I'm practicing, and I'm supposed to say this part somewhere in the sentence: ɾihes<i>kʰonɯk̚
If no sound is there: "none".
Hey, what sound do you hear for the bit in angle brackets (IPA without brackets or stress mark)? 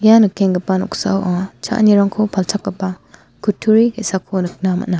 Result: a